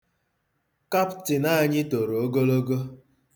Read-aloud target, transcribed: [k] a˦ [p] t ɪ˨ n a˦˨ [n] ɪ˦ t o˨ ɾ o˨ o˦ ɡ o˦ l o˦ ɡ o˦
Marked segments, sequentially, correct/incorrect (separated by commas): correct, correct, incorrect